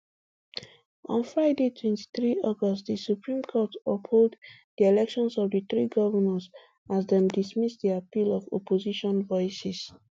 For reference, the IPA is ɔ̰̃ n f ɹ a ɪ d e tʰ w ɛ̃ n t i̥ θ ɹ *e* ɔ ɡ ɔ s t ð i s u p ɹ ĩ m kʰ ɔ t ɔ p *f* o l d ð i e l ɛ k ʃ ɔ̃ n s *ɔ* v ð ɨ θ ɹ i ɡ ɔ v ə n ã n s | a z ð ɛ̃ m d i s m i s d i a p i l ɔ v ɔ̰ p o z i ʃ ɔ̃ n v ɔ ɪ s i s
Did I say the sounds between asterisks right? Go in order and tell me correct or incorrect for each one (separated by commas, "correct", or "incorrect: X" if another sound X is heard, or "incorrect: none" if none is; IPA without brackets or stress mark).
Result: incorrect: i, incorrect: h, correct